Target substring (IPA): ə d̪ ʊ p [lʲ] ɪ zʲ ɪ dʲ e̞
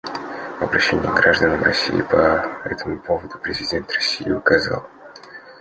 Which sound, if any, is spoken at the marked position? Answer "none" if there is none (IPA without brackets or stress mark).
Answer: ɾʲ